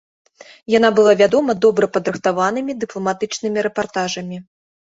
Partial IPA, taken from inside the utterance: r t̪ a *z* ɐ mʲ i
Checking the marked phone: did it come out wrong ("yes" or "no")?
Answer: yes